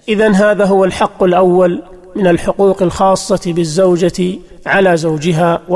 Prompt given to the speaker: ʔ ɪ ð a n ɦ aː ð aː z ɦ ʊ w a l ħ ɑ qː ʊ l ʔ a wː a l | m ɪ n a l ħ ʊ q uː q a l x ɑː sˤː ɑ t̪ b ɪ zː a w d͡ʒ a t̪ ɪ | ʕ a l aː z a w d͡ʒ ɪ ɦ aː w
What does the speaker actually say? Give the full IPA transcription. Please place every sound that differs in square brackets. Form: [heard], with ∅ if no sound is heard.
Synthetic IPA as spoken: ʔ ɪ ð a n ɦ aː ð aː [∅] ɦ ʊ w a l ħ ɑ qː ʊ l ʔ a wː a l | m ɪ n a l ħ ʊ q uː q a l x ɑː sˤː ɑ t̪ b ɪ zː a w d͡ʒ a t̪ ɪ | ʕ a l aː z a w d͡ʒ ɪ ɦ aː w